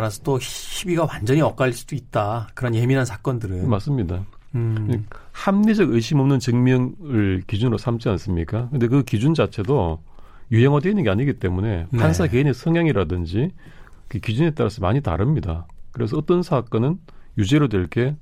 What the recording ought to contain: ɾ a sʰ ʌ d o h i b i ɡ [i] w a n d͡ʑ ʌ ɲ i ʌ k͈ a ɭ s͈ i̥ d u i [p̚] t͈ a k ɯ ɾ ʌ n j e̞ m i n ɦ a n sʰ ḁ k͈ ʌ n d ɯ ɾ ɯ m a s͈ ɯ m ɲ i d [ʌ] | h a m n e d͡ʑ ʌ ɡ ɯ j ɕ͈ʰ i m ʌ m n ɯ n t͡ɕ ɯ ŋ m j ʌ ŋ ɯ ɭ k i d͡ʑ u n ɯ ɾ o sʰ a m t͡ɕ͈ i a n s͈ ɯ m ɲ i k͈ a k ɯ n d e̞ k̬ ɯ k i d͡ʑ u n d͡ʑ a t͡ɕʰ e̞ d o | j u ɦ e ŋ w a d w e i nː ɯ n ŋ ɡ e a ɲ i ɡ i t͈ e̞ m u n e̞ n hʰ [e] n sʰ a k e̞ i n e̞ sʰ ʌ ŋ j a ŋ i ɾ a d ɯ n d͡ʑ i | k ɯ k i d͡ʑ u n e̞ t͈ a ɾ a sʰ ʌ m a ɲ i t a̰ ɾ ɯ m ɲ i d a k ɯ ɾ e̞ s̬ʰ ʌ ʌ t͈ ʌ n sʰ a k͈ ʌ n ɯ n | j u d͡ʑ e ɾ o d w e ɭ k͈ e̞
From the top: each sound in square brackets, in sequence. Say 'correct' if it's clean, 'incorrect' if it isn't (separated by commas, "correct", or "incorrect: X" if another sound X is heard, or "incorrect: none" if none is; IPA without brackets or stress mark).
incorrect: a, incorrect: t̚, incorrect: a, incorrect: a